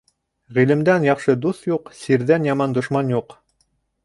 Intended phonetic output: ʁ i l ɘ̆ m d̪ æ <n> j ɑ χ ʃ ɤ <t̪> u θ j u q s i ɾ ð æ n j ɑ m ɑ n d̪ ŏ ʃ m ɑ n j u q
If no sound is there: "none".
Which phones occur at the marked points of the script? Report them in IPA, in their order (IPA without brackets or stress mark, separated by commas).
n, d̪